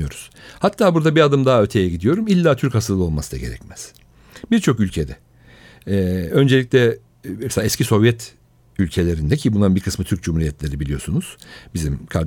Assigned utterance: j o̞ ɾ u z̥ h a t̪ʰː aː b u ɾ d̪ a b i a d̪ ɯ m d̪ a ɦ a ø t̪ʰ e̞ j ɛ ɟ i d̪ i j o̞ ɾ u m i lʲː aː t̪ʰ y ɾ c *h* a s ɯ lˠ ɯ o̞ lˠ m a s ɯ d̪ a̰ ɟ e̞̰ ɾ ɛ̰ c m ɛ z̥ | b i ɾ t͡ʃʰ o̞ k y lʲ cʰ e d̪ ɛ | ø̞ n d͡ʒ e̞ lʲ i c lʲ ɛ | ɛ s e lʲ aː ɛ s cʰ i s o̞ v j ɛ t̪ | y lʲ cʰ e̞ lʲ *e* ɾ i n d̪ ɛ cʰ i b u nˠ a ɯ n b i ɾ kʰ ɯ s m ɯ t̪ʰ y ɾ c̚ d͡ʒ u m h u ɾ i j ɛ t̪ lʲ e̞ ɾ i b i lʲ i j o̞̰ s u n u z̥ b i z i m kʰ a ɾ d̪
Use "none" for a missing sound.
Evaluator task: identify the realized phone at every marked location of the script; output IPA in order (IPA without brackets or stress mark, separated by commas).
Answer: h, e